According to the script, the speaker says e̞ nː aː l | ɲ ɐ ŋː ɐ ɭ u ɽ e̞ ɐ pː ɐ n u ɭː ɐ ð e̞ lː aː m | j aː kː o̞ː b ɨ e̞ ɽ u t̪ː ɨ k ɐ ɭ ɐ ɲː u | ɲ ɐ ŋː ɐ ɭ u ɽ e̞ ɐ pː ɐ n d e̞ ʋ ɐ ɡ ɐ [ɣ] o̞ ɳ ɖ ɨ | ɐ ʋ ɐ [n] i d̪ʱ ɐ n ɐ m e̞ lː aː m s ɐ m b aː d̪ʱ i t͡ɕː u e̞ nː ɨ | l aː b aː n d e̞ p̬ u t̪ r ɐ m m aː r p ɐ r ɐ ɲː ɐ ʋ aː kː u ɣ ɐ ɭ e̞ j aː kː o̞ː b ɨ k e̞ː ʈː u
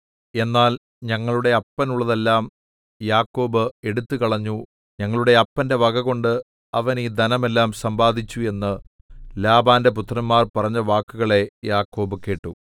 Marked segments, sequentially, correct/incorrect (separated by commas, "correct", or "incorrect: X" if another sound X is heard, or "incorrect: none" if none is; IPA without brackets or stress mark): correct, correct